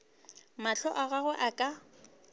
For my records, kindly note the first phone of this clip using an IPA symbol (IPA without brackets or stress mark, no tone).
m